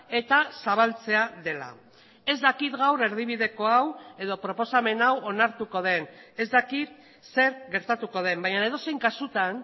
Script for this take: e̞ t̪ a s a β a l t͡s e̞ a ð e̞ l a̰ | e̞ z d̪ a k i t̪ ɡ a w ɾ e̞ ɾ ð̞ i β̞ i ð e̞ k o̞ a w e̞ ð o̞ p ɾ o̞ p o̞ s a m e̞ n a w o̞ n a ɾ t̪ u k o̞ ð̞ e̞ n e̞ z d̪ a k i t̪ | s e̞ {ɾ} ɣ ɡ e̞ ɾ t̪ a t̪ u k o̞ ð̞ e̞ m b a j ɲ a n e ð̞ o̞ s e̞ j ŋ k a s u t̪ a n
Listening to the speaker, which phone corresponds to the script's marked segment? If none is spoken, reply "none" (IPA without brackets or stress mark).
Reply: ɾ